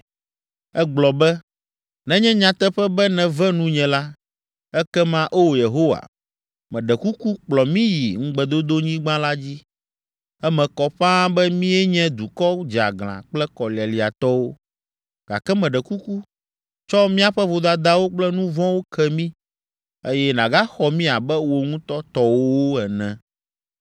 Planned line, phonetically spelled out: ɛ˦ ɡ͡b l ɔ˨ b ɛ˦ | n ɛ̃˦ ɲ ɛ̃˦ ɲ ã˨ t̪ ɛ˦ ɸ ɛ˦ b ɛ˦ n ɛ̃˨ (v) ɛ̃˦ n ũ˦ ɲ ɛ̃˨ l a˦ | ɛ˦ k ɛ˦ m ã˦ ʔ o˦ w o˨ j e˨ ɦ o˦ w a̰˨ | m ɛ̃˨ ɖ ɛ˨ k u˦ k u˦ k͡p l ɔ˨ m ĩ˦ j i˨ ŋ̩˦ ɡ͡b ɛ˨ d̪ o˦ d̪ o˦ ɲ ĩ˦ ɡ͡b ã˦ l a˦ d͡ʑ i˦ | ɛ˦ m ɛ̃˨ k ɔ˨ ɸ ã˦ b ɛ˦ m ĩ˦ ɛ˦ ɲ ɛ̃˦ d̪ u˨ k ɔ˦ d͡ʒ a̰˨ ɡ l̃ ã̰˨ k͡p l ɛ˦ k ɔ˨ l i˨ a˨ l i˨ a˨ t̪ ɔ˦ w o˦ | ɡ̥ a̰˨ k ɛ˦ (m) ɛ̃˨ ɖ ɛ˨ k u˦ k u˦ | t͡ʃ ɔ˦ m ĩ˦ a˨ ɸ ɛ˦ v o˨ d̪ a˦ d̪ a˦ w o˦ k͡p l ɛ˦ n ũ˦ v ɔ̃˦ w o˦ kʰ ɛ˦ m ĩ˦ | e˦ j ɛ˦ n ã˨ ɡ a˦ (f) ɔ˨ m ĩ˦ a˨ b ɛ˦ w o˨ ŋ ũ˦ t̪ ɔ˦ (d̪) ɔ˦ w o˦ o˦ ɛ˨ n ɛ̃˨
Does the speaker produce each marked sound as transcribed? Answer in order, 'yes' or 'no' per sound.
yes, yes, no, no

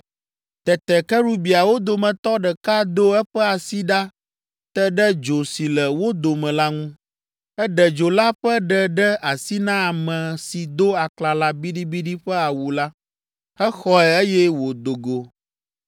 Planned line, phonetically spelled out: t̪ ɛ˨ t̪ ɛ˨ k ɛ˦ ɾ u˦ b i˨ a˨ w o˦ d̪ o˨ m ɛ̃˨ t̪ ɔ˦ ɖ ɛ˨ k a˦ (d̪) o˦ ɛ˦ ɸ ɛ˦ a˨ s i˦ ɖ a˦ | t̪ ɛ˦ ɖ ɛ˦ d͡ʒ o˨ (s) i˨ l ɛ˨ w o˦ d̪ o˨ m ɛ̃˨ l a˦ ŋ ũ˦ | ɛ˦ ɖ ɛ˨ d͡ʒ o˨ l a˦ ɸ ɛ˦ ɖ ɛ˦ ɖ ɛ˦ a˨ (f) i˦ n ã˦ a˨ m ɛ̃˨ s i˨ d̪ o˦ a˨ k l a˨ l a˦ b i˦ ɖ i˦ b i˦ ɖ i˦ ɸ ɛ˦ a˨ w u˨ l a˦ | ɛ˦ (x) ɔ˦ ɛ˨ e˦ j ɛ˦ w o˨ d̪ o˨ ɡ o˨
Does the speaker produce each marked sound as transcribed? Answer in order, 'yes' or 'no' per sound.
yes, yes, no, yes

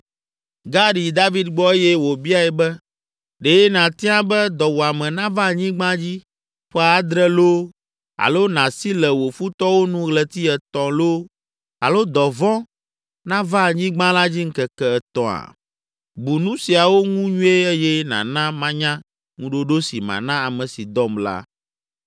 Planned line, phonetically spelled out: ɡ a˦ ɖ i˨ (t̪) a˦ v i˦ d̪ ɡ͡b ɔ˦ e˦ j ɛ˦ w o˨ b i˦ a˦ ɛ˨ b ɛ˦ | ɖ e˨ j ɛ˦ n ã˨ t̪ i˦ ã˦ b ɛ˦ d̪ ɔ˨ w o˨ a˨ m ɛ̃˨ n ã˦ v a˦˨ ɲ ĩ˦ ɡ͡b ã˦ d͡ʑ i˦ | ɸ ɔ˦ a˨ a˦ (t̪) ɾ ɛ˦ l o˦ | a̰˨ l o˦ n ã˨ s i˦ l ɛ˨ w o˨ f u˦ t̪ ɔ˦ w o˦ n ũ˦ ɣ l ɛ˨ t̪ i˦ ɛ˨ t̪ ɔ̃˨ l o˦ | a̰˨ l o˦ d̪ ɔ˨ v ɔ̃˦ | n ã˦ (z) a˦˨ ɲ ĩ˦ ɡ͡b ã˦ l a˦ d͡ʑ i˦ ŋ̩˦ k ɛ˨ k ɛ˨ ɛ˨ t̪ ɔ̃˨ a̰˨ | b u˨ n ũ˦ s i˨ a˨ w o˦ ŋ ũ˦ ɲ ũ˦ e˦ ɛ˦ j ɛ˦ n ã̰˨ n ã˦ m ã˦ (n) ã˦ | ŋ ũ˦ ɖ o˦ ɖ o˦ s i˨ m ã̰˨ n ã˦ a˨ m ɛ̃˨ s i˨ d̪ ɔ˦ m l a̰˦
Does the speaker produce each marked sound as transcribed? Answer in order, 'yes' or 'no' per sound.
no, no, no, no

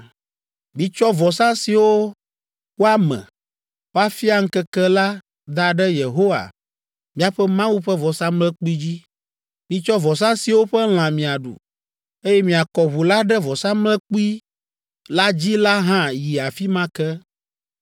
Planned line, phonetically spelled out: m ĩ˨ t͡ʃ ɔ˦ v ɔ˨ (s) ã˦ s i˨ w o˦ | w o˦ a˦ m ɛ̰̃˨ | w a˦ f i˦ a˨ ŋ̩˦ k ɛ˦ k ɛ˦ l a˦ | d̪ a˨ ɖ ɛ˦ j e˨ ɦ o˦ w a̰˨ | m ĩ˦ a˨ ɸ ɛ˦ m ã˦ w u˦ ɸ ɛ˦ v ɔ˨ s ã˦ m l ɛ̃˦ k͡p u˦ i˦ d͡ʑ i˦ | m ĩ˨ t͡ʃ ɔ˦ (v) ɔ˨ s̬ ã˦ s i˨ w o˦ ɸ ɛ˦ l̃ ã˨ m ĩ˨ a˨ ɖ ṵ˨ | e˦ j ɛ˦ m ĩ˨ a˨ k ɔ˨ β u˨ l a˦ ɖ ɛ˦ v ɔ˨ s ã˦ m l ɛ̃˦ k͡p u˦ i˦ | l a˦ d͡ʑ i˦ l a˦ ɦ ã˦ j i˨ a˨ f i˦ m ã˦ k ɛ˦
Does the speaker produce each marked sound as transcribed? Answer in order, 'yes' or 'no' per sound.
yes, yes

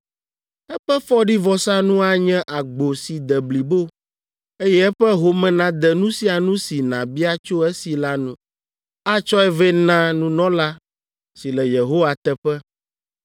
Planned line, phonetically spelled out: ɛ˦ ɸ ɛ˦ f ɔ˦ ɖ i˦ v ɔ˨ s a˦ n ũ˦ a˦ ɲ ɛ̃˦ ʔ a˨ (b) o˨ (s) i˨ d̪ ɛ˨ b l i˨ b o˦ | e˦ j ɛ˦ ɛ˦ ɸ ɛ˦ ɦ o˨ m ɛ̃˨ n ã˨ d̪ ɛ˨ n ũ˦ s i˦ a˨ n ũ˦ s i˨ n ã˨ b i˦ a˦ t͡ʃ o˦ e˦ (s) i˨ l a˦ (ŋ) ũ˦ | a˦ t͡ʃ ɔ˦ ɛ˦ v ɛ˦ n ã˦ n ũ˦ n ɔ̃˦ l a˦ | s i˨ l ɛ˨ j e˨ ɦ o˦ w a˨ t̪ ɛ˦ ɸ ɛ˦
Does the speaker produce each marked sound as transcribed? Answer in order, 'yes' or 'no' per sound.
no, yes, yes, no

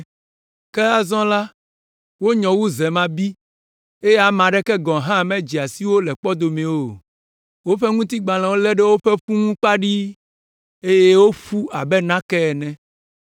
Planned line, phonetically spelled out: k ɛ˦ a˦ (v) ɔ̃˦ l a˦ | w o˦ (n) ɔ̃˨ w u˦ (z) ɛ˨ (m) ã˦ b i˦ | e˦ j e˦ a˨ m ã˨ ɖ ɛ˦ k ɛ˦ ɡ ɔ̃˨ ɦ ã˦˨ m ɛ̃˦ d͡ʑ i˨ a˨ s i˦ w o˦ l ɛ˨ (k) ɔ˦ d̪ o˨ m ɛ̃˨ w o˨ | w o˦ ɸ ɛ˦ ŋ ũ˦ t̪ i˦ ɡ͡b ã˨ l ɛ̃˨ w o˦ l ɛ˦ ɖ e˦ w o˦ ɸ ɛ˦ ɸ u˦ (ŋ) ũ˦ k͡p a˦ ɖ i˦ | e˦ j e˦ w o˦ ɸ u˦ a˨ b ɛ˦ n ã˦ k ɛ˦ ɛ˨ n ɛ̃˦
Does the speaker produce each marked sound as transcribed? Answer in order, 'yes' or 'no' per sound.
no, no, yes, yes, no, yes

